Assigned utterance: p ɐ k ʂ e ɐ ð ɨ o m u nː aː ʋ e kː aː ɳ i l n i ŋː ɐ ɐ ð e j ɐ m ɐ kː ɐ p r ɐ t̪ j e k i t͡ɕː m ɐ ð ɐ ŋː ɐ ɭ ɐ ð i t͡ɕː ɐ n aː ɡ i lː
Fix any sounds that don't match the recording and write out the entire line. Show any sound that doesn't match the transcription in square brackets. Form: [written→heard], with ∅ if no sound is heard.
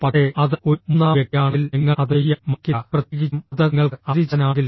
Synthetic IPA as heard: p ɐ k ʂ e ɐ ð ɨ o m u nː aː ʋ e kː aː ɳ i l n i ŋː ɐ ɐ ð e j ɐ m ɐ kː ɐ p r ɐ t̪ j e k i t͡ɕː m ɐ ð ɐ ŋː ɐ ɭ ɐ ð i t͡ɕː ɐ n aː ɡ i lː